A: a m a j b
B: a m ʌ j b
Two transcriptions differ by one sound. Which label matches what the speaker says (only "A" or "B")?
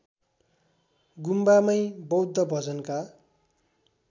B